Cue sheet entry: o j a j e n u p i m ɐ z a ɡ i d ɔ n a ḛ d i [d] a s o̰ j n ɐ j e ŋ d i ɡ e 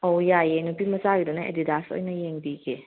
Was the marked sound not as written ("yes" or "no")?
no